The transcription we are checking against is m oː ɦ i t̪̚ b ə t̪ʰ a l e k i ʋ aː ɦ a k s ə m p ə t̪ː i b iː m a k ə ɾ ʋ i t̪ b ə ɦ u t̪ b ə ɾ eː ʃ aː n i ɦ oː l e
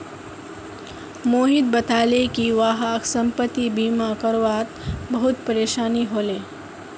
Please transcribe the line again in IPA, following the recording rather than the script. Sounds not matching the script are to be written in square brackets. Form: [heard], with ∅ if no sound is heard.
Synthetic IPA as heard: m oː ɦ i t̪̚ b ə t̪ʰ a l e k i ʋ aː ɦ a k s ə m p ə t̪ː i b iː m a k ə ɾ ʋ [a] t̪ b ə ɦ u t̪ [p] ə ɾ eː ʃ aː n i ɦ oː l e